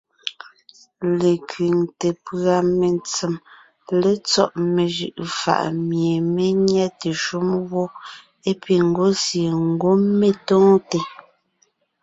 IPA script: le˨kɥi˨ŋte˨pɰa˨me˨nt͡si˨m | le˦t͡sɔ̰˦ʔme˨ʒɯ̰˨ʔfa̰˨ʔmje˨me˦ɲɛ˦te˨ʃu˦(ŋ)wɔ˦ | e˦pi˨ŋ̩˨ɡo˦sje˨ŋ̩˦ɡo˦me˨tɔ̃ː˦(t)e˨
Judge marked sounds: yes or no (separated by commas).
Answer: no, yes